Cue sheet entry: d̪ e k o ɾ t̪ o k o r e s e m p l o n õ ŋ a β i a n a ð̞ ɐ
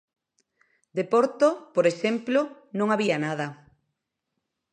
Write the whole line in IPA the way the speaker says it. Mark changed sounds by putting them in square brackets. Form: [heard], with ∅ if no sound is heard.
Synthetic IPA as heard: d̪ e [p] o ɾ t̪ o [p] o [ɾ] e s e m p l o n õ ŋ a β i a n a ð̞ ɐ